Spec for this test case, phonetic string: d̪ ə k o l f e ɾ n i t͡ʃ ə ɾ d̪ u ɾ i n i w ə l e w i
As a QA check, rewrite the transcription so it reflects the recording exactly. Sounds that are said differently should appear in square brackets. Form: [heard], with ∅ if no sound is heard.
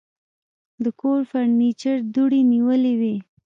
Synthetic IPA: d̪ ə k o [ɾ] f [a] ɾ n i t͡ʃ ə ɾ d̪ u [ɽ] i n i w ə l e w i